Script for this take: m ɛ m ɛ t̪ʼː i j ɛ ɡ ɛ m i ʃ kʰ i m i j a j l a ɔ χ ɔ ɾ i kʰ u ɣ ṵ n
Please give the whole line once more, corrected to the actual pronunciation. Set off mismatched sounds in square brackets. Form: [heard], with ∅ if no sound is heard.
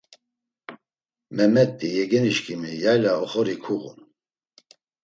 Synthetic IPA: m ɛ m ɛ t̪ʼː i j ɛ ɡ ɛ [n] i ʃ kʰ i m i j a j l a ɔ χ ɔ ɾ i kʰ u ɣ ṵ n